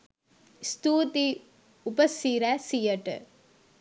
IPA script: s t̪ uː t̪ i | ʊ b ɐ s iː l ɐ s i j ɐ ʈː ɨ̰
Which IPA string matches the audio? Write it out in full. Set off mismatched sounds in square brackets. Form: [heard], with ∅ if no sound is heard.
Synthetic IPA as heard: s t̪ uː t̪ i | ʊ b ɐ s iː [ɾ] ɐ s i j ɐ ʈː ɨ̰